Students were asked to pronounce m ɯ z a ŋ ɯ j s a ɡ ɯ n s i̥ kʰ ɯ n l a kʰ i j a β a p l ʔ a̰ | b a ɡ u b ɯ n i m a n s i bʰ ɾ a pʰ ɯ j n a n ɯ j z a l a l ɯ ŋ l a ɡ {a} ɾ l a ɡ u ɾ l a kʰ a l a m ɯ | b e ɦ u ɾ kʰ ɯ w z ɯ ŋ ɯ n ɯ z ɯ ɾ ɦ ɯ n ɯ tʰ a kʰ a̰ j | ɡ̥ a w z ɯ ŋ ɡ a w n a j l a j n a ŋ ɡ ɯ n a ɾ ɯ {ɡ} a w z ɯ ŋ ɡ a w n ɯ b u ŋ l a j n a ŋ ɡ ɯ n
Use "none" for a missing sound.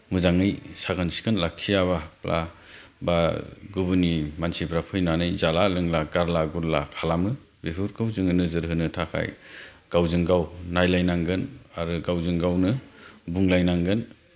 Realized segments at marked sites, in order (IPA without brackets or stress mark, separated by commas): a, ɡ